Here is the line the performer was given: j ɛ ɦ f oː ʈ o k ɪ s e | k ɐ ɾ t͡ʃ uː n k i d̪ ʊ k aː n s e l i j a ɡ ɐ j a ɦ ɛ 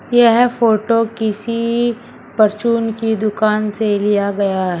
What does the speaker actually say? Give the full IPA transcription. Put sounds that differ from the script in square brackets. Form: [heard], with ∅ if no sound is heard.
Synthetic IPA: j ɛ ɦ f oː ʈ o k ɪ s [i] | [p] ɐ ɾ t͡ʃ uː n k i d̪ ʊ k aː n s e l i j a ɡ ɐ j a ɦ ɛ